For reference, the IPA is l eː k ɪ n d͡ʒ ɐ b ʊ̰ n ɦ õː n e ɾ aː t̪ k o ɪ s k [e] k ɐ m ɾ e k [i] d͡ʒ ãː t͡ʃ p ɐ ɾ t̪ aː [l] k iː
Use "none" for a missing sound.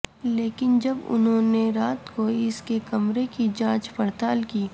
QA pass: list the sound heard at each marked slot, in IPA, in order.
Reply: e, i, l

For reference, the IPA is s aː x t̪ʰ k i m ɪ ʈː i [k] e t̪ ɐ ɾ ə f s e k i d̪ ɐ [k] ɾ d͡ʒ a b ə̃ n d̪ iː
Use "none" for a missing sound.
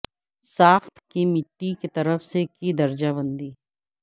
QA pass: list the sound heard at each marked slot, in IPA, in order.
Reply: k, none

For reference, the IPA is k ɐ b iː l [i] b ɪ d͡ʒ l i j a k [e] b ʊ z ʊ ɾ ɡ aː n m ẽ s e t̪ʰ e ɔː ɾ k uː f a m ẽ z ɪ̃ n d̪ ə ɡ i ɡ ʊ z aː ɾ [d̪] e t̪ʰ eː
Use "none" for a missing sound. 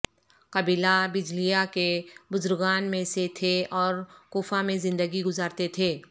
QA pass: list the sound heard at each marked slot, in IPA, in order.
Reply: a, e, t̪

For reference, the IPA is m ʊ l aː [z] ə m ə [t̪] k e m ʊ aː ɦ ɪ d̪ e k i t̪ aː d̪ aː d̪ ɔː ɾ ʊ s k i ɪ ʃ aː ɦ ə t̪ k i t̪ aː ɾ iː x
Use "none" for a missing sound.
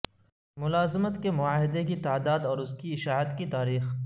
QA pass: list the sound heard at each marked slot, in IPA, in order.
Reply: z, t̪

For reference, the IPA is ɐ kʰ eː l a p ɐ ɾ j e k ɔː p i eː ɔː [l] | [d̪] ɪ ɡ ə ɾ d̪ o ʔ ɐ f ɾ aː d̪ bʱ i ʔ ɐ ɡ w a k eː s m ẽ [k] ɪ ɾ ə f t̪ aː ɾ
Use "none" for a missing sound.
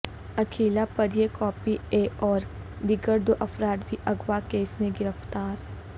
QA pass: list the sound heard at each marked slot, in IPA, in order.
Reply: ɾ, d̪, ɡ

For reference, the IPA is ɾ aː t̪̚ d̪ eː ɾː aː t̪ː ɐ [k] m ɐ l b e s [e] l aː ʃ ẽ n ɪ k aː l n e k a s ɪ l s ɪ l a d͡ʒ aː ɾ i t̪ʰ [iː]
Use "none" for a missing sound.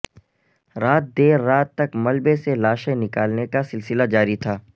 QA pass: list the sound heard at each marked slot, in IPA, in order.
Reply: k, e, aː

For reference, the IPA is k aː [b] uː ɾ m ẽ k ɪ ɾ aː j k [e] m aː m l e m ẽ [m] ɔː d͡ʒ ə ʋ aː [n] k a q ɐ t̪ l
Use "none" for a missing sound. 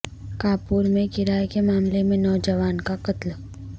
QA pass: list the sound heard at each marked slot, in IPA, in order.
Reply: p, e, n, n

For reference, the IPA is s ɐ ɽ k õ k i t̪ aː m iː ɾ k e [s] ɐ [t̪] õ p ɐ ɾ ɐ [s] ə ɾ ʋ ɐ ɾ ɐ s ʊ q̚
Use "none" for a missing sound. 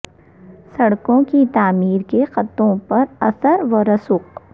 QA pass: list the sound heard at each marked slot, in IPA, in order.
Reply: x, t̪, s

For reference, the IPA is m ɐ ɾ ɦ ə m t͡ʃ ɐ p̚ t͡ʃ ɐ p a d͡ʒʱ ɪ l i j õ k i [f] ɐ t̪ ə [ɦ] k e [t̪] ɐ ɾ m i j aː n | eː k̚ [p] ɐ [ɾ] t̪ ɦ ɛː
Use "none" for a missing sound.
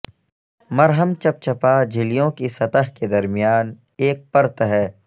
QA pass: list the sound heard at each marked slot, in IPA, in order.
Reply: s, ɦ, d̪, p, ɾ

